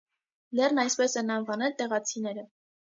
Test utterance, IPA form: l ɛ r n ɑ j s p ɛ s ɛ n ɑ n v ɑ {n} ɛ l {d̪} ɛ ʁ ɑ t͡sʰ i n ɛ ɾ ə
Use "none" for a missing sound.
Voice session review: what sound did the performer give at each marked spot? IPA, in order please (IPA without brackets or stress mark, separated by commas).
n, t̪